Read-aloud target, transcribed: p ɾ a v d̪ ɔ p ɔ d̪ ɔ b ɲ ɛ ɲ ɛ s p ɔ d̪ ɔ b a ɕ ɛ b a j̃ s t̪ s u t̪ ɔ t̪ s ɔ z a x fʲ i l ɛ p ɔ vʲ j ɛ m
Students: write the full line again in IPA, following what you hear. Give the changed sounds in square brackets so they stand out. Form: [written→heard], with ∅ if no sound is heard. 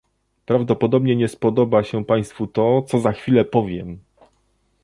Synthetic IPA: p ɾ a v d̪ ɔ p ɔ d̪ ɔ b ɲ ɛ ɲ ɛ s p ɔ d̪ ɔ b a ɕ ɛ [b→p] a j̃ s t̪ [s→f] u t̪ ɔ t̪ s ɔ z a x fʲ i l ɛ p ɔ vʲ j ɛ m